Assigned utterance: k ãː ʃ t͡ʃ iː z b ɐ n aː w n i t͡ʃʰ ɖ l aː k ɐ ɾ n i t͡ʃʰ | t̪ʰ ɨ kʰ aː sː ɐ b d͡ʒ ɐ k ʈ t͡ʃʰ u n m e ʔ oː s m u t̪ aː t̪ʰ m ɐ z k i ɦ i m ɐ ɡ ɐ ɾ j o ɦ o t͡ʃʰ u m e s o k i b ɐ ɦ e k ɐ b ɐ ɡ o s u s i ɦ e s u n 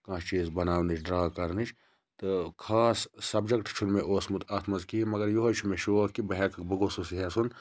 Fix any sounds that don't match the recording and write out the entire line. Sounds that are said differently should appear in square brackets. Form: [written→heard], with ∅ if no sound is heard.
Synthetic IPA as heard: k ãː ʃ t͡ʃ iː z b ɐ n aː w n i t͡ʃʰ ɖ [l→ɾ] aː k ɐ ɾ n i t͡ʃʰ | [t̪ʰ→t̪] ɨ kʰ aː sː ɐ b d͡ʒ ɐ k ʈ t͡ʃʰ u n m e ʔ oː s m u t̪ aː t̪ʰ m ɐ z k i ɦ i m ɐ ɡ ɐ ɾ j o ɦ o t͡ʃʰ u m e [s→ʃ] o k i b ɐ ɦ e k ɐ b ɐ ɡ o s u s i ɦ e s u n

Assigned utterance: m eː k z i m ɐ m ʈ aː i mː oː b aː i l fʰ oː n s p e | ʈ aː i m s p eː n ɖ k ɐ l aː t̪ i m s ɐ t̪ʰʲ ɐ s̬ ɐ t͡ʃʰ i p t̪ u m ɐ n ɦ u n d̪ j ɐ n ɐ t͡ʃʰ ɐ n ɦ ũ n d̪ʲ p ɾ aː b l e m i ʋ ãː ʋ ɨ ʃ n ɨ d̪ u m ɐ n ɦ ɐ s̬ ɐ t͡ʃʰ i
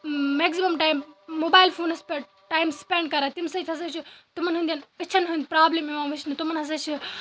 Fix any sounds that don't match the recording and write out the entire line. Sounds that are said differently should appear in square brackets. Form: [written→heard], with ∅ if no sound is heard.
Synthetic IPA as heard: m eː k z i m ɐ m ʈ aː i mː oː b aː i l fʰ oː n s p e | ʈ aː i m s p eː [n→ɳ] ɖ k ɐ [l→ɾ] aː t̪ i m s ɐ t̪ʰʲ ɐ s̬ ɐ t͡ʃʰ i [p→∅] t̪ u m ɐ n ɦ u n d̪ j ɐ n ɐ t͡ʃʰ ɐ n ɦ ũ n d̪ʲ p ɾ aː b l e m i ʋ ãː ʋ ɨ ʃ n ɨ [d̪→t̪] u m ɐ n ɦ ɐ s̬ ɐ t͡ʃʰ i

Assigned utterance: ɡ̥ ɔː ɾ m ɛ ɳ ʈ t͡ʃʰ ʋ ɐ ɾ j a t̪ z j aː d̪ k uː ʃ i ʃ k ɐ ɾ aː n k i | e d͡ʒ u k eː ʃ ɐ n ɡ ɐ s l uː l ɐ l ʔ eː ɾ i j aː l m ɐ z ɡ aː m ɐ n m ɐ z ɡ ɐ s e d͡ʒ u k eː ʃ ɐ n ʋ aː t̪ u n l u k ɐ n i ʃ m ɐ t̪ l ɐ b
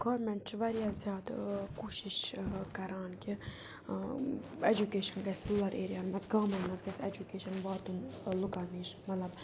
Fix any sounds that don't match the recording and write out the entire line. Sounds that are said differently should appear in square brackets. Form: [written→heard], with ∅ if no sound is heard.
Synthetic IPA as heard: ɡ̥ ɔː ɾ m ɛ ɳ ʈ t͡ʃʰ ʋ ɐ ɾ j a [t̪→∅] z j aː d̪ k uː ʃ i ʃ k ɐ ɾ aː n k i | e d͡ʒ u k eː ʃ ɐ n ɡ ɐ s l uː l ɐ [l→ɾ] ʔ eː ɾ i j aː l m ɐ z ɡ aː m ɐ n m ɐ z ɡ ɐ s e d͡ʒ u k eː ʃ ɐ n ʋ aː t̪ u n l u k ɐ n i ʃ m ɐ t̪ l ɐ b

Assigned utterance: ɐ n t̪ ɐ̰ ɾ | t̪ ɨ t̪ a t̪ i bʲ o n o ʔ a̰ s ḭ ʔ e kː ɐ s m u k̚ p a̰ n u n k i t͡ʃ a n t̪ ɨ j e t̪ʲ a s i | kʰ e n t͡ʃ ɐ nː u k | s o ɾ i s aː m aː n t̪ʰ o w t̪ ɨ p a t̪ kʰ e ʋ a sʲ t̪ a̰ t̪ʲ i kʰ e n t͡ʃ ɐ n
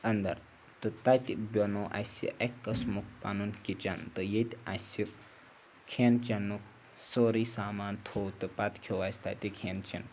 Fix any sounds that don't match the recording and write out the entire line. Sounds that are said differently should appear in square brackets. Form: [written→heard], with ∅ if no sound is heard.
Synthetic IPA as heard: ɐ n [t̪→d̪] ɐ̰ ɾ | t̪ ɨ t̪ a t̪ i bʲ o n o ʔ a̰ s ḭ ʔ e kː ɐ s m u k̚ p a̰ n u n k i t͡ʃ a n t̪ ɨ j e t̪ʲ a s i | kʰ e n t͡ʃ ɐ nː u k | s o ɾ i s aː m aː n t̪ʰ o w t̪ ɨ p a t̪ kʰ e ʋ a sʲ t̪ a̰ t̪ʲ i kʰ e n t͡ʃ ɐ n

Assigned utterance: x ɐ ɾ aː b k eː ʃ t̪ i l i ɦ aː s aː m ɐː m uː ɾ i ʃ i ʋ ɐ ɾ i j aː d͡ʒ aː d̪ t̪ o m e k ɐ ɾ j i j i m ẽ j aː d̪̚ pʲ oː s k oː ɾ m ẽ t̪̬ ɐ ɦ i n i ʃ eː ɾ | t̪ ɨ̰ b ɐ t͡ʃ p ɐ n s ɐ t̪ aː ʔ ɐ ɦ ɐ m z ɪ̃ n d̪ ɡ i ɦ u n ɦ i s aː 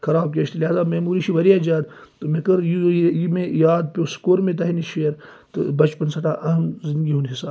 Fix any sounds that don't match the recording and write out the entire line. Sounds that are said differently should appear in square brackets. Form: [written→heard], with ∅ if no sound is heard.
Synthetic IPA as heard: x ɐ ɾ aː b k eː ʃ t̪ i l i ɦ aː [s→z] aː m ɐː m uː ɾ i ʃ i ʋ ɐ ɾ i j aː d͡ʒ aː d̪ t̪ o m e k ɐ ɾ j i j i m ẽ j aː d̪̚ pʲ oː s k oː ɾ m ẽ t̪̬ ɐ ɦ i n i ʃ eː ɾ | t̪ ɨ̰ b ɐ t͡ʃ p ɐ n s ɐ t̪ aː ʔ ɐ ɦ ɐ m z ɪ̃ n d̪ ɡ i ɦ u n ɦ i s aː

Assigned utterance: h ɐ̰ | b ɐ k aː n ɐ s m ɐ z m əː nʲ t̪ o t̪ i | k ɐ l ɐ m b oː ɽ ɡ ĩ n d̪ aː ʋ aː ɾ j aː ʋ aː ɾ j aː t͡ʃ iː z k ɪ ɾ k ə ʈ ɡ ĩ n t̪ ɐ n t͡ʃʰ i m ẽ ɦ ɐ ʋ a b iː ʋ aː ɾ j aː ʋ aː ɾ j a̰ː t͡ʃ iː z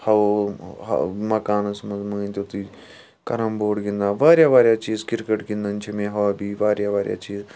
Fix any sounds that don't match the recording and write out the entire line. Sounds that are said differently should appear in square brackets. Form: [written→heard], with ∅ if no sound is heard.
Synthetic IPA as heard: h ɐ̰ | [b→m] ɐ k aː n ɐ s m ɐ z m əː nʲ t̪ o t̪ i | k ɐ [l→ɾ] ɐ m b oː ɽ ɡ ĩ n d̪ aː ʋ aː ɾ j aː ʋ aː ɾ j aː t͡ʃ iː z k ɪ ɾ k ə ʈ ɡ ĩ n [t̪→d̪] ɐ n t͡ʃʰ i m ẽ ɦ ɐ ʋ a b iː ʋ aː ɾ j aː ʋ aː ɾ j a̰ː t͡ʃ iː z

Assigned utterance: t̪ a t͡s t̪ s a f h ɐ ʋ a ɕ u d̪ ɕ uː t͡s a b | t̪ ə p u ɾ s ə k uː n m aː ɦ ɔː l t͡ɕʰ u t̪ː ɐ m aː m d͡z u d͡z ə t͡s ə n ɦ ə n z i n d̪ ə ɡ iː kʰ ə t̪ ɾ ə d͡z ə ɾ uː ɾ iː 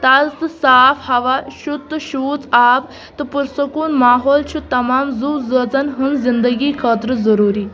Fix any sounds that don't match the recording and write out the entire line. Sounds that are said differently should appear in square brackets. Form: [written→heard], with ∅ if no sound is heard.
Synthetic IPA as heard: t̪ a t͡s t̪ s a f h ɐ ʋ a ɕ u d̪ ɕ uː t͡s a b | t̪ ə p u ɾ s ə k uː n m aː ɦ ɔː l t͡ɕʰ u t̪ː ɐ m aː m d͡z u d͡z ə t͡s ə n ɦ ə n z i n d̪ ə ɡ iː kʰ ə t̪ ɾ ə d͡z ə ɾ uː ɾ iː

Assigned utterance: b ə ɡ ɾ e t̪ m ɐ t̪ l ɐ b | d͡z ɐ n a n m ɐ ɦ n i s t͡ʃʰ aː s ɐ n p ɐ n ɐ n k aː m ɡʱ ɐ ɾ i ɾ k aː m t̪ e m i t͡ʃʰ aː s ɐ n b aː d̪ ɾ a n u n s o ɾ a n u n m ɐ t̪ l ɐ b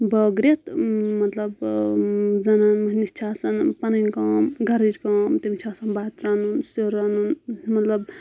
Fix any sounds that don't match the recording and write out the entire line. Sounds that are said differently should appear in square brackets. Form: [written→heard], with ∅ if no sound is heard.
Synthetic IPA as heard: b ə ɡ ɾ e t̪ m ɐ t̪ l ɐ b | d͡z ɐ n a n m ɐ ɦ n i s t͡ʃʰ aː s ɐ n p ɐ n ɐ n k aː m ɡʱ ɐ ɾ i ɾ k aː m t̪ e m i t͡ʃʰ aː s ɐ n b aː [d̪→t̪] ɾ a n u n s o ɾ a n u n m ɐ t̪ l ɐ b

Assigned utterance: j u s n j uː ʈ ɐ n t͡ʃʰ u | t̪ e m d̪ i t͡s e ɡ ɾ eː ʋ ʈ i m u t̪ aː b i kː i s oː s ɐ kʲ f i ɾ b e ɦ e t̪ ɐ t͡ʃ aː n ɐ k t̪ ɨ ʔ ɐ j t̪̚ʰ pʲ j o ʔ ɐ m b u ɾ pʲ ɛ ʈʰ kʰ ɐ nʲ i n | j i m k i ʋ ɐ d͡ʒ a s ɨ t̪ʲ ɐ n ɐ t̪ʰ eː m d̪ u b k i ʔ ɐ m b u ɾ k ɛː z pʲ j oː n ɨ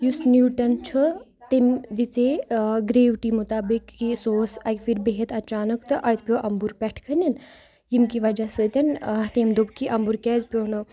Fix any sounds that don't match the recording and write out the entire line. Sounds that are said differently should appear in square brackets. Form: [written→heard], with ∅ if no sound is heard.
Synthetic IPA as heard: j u s n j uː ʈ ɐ n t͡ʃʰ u | t̪ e m d̪ i t͡s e ɡ ɾ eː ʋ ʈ i m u t̪ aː b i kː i s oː s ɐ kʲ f i ɾ b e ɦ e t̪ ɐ t͡ʃ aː n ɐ k t̪ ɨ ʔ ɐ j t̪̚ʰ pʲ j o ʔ ɐ m b u ɾ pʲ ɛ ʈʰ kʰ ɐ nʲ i n | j i m k i ʋ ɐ d͡ʒ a s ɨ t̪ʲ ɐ n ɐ [t̪ʰ→t̪] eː m d̪ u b k i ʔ ɐ m b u ɾ k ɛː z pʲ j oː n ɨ

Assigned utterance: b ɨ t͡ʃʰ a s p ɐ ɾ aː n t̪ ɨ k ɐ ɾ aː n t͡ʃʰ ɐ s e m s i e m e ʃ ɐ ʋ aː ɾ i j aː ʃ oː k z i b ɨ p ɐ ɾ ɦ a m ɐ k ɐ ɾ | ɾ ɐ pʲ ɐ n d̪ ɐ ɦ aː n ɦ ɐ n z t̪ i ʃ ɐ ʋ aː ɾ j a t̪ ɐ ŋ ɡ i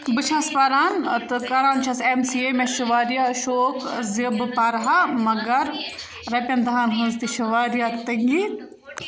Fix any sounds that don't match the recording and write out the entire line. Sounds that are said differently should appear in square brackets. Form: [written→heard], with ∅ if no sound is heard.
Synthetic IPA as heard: b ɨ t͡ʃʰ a s p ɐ ɾ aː n t̪ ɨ k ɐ ɾ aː n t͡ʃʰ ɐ s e m s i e m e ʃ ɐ ʋ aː ɾ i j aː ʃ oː k z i b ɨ p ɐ ɾ ɦ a m ɐ [k→ɡ] ɐ ɾ | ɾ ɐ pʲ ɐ n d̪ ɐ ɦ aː n ɦ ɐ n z t̪ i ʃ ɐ ʋ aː ɾ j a t̪ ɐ ŋ ɡ i

